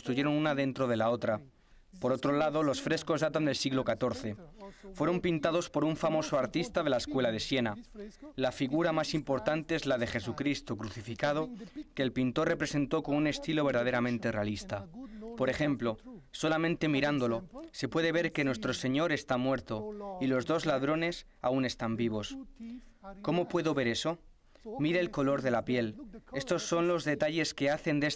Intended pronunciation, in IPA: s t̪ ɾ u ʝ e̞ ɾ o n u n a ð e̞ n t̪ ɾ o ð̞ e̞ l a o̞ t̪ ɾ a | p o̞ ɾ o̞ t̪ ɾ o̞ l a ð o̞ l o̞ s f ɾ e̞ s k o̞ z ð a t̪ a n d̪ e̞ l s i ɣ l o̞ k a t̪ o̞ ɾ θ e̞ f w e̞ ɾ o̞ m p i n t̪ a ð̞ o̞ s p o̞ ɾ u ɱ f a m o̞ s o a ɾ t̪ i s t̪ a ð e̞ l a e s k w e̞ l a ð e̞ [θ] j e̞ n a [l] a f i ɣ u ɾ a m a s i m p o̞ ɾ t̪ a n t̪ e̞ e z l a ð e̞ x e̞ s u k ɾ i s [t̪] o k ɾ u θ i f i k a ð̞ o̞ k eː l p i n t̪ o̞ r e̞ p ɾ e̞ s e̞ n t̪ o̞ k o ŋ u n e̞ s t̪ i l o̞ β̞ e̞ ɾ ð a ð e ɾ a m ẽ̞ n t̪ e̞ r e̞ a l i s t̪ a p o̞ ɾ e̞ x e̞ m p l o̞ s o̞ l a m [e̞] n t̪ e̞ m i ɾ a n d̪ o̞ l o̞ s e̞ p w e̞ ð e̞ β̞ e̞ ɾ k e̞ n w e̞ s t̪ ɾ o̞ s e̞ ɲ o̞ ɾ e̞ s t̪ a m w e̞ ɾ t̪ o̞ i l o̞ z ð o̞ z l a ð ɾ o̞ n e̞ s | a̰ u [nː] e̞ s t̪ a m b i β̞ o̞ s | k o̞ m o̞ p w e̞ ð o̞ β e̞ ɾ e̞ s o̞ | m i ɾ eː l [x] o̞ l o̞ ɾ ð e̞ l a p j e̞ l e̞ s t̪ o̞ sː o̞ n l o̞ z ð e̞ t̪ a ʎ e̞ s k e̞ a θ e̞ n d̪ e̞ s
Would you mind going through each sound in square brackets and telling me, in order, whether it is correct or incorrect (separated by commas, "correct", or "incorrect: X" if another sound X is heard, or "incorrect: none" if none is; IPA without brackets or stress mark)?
incorrect: s, correct, correct, incorrect: ẽ̞, incorrect: n, incorrect: k